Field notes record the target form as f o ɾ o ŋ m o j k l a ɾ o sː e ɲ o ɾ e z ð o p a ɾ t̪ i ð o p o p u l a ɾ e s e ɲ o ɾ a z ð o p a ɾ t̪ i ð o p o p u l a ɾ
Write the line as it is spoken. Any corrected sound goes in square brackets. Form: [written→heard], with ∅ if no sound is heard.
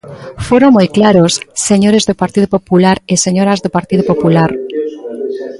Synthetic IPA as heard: f o ɾ o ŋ m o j k l a ɾ o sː e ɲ o ɾ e z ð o p a ɾ t̪ i ð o p o p u l a ɾ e s e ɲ o ɾ a z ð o p a ɾ t̪ i ð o p o p u l a ɾ